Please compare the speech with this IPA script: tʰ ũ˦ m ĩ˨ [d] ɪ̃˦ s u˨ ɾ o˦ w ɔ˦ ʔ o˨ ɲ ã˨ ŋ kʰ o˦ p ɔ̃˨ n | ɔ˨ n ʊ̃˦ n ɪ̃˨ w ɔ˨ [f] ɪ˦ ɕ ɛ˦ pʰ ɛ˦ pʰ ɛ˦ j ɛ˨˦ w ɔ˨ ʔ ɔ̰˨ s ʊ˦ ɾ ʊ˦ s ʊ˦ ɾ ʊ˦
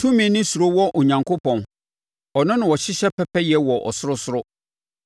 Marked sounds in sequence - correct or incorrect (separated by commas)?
incorrect, incorrect